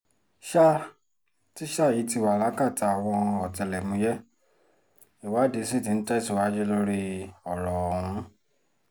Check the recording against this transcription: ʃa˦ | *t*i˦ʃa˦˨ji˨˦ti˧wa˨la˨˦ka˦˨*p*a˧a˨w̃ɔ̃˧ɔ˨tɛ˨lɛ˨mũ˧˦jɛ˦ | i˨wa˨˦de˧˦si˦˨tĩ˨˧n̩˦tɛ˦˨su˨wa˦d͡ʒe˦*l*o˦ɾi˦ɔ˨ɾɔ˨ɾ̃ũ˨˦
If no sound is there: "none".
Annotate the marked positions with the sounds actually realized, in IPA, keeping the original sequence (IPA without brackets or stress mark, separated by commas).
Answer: t, t, l